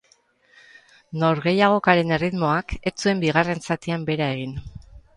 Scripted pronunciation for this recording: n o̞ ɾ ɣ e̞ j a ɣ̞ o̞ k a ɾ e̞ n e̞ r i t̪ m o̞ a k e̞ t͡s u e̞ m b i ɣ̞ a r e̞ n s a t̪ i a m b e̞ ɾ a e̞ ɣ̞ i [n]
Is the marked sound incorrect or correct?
correct